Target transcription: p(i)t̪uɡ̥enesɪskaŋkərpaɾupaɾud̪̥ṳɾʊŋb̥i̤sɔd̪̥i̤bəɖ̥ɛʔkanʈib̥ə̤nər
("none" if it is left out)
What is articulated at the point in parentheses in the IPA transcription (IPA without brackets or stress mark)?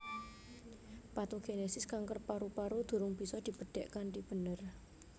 a